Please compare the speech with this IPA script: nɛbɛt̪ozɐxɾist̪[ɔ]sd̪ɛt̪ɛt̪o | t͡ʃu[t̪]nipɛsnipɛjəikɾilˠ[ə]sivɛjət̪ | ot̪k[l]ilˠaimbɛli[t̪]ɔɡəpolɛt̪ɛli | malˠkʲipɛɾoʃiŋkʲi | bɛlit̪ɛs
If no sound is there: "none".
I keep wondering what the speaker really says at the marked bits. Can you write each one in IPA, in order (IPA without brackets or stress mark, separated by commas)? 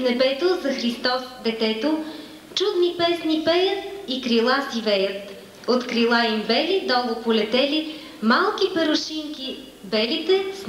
ɔ, d̪, a, ɾ, d̪